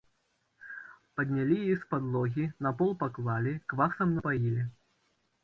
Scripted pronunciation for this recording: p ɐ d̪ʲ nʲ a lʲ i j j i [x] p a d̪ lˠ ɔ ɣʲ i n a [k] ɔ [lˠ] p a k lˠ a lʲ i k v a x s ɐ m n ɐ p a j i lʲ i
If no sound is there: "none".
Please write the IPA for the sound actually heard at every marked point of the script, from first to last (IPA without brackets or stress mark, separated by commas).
s, p, lˠ